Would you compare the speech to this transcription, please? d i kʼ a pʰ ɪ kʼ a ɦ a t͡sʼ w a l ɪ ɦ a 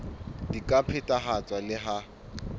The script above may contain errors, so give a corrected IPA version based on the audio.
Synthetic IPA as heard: d i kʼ a pʰ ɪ tʼ a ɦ a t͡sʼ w a l ɪ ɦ a